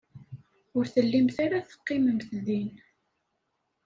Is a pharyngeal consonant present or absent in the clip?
absent